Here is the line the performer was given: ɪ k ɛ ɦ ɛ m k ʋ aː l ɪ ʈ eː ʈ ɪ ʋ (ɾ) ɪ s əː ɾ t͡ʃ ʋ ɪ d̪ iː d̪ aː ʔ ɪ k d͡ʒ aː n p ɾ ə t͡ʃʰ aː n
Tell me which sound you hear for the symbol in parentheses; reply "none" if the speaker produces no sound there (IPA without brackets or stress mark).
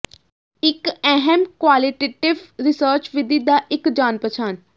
ɾ